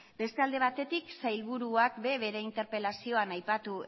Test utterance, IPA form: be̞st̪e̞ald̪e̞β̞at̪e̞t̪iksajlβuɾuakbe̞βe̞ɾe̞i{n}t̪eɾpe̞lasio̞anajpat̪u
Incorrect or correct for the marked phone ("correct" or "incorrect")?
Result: correct